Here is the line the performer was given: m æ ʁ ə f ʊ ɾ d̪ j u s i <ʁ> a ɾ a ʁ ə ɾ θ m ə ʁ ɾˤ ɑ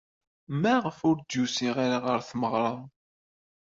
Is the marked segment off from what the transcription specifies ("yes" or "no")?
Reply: no